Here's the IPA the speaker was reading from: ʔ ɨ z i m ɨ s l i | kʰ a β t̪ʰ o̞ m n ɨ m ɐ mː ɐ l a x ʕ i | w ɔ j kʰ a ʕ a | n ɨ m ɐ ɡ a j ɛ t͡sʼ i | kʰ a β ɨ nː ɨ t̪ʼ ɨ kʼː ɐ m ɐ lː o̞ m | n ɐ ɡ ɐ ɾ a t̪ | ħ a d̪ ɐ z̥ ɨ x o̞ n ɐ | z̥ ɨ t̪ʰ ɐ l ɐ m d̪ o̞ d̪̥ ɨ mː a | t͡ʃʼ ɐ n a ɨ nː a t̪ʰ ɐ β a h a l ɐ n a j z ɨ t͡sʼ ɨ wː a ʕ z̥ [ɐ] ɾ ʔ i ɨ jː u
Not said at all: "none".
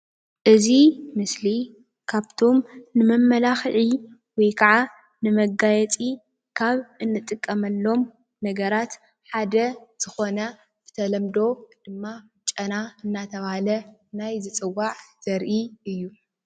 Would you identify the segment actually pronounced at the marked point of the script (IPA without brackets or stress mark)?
ɐ